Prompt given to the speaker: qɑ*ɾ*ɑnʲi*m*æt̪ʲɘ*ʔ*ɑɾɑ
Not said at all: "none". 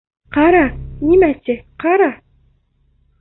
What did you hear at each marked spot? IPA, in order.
ɾ, m, q

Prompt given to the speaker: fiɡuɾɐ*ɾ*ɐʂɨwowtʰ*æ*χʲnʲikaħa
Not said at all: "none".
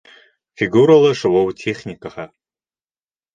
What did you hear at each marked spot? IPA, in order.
l, e

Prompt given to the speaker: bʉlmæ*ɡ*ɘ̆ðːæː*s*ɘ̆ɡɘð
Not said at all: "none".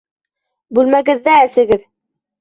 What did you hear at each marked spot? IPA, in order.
ɡ, s

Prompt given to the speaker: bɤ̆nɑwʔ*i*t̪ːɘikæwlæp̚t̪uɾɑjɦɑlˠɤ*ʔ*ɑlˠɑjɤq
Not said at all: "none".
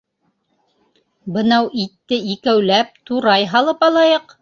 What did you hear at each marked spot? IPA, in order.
i, p

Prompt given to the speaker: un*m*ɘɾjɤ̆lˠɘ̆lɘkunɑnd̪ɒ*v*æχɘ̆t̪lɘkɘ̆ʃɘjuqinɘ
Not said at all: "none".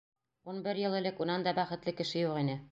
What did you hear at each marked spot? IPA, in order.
b, b

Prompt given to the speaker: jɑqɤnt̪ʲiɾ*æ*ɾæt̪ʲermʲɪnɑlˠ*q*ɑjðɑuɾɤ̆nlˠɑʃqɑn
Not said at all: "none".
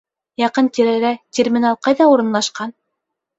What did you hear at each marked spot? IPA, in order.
æ, q

